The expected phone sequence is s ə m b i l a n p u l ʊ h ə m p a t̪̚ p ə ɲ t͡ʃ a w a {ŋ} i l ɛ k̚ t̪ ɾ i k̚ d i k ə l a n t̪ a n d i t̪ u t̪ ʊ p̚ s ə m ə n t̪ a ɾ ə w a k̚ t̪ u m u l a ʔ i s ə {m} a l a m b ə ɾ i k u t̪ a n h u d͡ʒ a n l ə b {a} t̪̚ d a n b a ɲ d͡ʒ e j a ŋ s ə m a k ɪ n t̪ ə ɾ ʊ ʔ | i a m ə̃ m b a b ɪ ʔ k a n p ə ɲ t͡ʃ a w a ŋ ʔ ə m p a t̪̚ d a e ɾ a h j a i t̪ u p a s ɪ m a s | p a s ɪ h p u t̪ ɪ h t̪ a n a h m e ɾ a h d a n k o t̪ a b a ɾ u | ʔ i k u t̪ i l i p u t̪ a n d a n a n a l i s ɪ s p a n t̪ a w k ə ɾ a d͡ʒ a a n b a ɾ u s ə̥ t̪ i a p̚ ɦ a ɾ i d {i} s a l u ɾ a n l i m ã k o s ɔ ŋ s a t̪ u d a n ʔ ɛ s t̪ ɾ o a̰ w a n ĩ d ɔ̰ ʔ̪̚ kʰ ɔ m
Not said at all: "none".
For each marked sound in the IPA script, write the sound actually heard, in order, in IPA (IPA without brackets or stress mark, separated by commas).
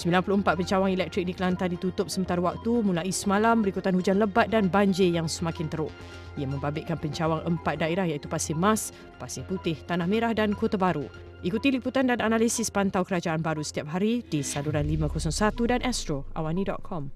ŋ, m, a, i